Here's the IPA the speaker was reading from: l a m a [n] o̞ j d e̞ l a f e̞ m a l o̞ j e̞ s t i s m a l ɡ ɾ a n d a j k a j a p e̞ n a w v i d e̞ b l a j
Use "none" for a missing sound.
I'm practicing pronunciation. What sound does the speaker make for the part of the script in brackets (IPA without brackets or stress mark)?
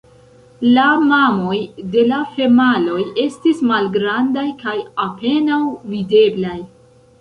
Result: m